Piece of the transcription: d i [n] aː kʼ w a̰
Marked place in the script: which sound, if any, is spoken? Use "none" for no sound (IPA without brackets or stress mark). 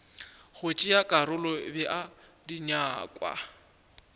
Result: ɲ